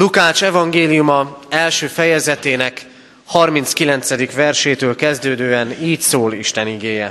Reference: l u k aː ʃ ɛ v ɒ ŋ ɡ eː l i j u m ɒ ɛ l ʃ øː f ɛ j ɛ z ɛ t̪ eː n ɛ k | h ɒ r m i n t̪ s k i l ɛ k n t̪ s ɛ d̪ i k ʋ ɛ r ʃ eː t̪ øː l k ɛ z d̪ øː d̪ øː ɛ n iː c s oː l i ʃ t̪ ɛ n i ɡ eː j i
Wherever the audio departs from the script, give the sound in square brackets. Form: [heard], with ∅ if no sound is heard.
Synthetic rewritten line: l u k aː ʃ ɛ v ɒ ŋ ɡ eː l i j u m ɒ ɛ l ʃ øː f ɛ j ɛ z ɛ t̪ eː n ɛ k | h ɒ r m i n t̪ s k i l ɛ [∅] n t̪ s ɛ d̪ i k ʋ ɛ r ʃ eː t̪ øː l k ɛ z d̪ øː d̪ øː ɛ n iː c s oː l i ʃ t̪ ɛ n i ɡ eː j [ɛ]